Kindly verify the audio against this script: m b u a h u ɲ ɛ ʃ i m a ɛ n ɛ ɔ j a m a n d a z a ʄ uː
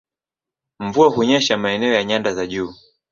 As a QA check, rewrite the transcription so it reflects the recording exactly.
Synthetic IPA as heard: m v u a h u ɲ ɛ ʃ a m a ɛ n ɛ ɔ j a ɲ a n d a z a ʄ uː